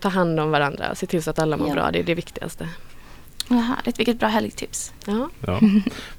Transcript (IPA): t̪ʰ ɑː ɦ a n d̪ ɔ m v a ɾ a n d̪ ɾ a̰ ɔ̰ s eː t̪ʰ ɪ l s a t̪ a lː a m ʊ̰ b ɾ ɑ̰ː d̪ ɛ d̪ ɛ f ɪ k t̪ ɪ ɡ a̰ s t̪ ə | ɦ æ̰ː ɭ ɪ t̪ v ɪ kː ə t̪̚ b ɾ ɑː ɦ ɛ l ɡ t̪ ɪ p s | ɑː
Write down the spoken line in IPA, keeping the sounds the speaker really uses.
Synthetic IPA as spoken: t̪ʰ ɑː ɦ a n d̪ ɔ m v a ɾ a n d̪ ɾ a̰ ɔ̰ s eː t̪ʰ ɪ l s a t̪ a lː a m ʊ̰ b ɾ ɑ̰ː d̪ ɛ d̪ ɛ v ɪ k t̪ ɪ ɡ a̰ s t̪ ə | ɦ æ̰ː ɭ ɪ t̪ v ɪ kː ə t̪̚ b ɾ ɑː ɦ ɛ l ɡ t̪ʰ ɪ p s | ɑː